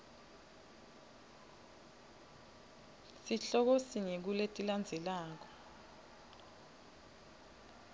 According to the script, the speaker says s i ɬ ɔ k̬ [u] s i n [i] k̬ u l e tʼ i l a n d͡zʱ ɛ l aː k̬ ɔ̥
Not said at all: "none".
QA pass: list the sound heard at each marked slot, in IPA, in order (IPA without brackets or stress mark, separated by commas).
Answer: o, e